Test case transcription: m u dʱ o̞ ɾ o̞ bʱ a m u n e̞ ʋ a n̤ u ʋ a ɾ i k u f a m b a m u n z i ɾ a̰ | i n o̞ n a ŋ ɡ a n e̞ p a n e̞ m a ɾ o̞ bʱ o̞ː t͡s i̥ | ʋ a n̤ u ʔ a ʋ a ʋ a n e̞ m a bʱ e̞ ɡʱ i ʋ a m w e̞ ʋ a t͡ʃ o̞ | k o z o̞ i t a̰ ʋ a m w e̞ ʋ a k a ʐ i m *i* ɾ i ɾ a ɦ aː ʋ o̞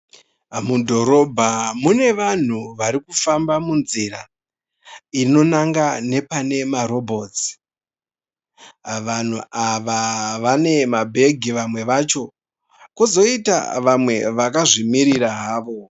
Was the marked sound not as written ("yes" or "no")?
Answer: no